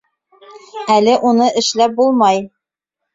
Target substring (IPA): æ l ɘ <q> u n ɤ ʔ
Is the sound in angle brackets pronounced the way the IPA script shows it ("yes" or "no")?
no